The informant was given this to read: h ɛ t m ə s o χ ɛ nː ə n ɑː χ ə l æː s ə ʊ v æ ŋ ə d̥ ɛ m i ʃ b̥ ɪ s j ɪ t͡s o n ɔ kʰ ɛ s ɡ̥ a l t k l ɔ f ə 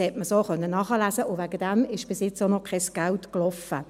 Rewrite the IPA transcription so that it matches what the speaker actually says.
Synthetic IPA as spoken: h ɛ t m ə s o χ œ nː ə n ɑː χ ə l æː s ə ʊ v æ ɡ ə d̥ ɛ m ɪ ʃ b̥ ɪ s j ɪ t͡s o n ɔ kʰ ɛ s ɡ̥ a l t k l ɔ f ə